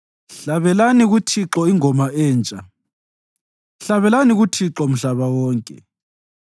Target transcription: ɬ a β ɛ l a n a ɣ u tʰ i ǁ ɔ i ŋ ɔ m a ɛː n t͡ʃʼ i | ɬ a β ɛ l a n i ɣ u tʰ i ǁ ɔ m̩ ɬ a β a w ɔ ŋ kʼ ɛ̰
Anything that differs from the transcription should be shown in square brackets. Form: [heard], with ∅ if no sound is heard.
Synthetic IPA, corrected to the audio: ɬ a β ɛ l a n [i] ɣ u tʰ i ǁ ɔ i ŋ ɔ m a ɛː n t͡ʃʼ [a] | ɬ a β ɛ l a n i ɣ u tʰ i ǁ ɔ m̩ ɬ a β a w [ɔː] ŋ kʼ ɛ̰